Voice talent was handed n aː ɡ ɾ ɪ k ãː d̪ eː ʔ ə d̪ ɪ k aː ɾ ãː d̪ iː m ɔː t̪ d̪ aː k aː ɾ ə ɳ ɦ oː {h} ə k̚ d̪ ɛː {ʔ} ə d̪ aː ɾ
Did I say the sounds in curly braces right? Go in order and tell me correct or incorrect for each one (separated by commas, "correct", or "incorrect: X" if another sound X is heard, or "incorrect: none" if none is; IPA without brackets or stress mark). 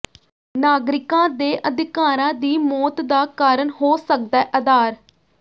incorrect: s, correct